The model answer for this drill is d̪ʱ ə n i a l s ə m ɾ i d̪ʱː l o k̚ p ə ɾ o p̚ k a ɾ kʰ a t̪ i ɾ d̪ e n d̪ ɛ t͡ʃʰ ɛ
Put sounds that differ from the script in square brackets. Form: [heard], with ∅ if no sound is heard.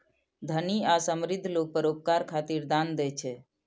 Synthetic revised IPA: d̪ʱ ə n i a [∅] s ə m ɾ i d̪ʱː l o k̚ p ə ɾ o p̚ k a ɾ kʰ a t̪ i ɾ d̪ [a] n d̪ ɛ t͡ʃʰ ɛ

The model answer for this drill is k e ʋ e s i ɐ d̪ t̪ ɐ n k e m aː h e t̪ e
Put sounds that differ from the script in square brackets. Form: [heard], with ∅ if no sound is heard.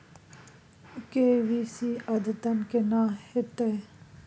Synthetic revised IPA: k e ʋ [i] s i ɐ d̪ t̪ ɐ n k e [n] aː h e t̪ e

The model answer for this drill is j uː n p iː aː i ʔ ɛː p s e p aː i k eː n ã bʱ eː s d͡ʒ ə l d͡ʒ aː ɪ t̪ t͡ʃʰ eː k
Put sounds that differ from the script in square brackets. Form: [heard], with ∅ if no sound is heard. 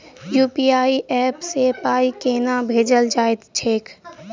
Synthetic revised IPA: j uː [∅] p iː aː i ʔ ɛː p s e p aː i k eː n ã bʱ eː [∅] d͡ʒ ə l d͡ʒ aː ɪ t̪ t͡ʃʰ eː k

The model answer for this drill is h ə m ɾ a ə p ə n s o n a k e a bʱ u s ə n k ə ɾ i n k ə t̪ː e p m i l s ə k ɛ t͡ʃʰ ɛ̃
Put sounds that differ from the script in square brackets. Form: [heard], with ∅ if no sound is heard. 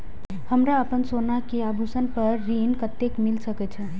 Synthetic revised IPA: h ə m ɾ a ə p ə n s o n a k e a bʱ u s ə n [p] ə [ɾː] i n k ə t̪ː e [k] m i l s ə k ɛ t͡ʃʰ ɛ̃

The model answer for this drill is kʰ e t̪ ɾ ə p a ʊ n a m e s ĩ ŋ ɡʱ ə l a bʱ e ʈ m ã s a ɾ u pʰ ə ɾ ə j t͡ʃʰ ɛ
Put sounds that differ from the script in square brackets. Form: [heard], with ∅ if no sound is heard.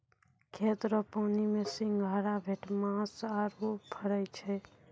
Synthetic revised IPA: kʰ e t̪ ɾ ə p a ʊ n [i] m e s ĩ ŋ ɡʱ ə [ɾ] a bʱ e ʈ m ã s a ɾ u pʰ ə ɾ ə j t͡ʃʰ ɛ

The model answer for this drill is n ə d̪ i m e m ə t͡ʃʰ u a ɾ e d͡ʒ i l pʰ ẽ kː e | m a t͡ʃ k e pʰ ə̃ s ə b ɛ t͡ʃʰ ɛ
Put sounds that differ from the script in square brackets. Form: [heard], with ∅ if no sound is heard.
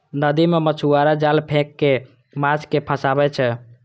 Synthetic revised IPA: n ə d̪ i m e m ə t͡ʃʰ u a ɾ [a] d͡ʒ [a] l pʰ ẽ kː e | m a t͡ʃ k e pʰ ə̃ s [a] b ɛ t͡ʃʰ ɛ

